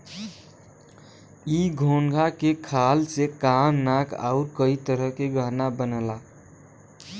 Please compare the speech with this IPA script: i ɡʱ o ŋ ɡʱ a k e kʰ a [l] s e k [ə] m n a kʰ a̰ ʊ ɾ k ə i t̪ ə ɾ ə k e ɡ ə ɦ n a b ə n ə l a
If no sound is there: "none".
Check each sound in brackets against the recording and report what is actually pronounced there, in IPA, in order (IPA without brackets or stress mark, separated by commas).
l, a